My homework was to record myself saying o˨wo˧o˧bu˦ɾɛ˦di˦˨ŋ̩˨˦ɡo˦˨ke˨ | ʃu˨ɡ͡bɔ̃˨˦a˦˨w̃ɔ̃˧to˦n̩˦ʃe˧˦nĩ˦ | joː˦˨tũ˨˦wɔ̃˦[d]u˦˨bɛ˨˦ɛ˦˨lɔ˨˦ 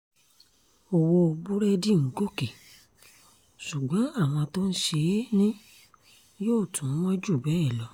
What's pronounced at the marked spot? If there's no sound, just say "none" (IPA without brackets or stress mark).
d͡ʒ